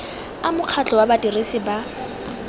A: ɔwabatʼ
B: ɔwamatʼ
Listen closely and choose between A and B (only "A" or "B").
A